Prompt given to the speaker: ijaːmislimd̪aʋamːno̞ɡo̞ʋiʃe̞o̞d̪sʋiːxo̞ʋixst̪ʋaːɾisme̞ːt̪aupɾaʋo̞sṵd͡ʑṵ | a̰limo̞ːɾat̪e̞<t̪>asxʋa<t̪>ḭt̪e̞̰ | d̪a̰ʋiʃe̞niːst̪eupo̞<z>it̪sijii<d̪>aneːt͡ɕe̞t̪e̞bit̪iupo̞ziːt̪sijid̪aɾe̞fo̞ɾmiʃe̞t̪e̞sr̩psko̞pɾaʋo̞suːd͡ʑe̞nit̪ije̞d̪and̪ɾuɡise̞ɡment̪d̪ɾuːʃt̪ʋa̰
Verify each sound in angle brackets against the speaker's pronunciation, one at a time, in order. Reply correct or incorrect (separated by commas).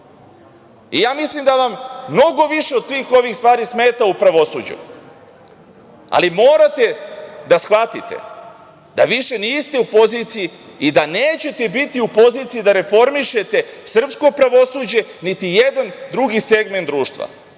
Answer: incorrect, correct, correct, correct